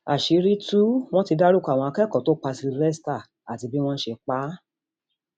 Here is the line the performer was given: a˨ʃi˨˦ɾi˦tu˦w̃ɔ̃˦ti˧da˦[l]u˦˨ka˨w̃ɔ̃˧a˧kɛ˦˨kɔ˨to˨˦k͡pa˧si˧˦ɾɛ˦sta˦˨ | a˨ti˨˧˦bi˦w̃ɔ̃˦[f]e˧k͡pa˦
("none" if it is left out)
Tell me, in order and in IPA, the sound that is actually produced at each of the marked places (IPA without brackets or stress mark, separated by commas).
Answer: ɾ, ʃ